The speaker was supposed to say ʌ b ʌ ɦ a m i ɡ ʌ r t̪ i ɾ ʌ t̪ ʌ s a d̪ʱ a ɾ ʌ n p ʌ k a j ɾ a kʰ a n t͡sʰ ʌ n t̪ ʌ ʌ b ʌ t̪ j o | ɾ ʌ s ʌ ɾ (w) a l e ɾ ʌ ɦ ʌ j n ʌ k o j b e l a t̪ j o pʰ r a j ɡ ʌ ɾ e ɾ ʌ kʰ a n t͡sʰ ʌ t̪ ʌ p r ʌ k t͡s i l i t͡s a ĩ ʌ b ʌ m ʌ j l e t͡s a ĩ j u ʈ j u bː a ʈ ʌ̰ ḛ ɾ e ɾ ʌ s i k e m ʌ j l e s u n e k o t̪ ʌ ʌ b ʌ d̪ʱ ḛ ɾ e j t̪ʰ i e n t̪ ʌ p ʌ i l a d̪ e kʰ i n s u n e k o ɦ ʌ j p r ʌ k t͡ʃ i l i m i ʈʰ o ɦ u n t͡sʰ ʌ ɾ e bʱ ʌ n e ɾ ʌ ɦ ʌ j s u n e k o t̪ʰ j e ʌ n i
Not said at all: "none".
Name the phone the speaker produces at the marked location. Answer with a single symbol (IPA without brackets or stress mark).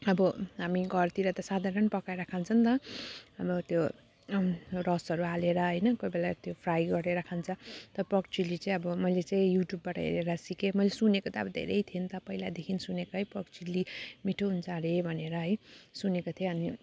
u